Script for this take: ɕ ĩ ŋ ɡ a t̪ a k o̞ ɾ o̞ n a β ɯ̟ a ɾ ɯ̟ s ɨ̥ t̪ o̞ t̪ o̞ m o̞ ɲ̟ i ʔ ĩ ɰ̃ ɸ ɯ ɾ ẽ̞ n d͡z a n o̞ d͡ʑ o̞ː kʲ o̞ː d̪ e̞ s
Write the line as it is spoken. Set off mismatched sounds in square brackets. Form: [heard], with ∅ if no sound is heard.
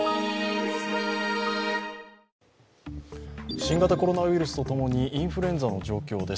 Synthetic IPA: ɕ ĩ ŋ ɡ a t̪ a k o̞ ɾ o̞ n a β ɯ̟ [i] ɾ ɯ̟ s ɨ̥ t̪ o̞ t̪ o̞ m o̞ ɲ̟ i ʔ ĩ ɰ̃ ɸ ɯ ɾ ẽ̞ n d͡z a n o̞ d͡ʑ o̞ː kʲ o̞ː d̪ e̞ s